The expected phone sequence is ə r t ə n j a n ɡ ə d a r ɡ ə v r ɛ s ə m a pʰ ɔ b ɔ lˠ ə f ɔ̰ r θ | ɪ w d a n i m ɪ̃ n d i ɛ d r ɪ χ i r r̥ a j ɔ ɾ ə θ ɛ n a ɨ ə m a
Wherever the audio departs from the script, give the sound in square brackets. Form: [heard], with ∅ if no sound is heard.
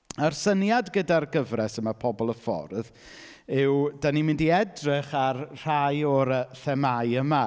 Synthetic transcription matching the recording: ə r [s] ə n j a [d] ɡ ə d a r ɡ ə v r ɛ s ə m a pʰ ɔ b ɔ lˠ ə f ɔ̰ r [ð] | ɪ w d a n i m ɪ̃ n d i ɛ d r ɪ χ [a] r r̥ a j ɔ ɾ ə θ ɛ [m] a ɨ ə m a